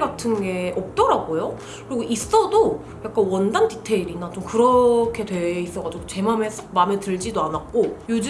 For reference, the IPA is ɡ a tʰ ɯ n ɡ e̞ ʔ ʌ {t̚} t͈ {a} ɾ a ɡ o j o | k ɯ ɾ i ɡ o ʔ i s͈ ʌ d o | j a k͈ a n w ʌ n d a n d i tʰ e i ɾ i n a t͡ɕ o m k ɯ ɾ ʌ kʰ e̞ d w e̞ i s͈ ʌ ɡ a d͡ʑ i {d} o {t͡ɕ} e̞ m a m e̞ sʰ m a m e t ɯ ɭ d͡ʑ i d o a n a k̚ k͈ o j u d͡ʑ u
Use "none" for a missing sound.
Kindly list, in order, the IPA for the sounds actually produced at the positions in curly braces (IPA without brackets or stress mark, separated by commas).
p̚, ʌ, ɡ, t͡ɕ